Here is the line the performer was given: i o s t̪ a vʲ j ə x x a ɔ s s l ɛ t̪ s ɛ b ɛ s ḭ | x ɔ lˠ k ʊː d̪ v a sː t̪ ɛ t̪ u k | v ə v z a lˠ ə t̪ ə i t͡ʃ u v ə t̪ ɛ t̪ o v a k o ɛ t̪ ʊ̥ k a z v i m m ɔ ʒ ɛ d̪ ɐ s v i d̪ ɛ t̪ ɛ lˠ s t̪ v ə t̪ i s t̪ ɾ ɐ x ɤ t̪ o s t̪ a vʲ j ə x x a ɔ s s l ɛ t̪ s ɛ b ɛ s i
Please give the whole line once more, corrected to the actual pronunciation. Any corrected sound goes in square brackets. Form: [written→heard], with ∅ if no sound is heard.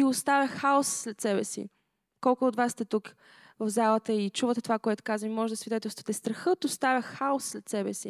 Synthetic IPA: i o s t̪ a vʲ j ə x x a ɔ s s l ɛ t̪ s ɛ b ɛ s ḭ | [x→k] ɔ lˠ k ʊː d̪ v a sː t̪ ɛ t̪ u k | v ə v z a lˠ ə t̪ ə i t͡ʃ u v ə t̪ ɛ t̪ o v a k o ɛ t̪ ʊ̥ k a z v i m m ɔ ʒ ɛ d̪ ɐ s v i d̪ ɛ t̪ ɛ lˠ s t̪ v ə t̪ [i→ɛ] s t̪ ɾ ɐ x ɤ t̪ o s t̪ a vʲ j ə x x a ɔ s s l ɛ t̪ s ɛ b ɛ s i